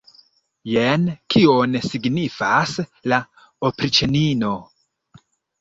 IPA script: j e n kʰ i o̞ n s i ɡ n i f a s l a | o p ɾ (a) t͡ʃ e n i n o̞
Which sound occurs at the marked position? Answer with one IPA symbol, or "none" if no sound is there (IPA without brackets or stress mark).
i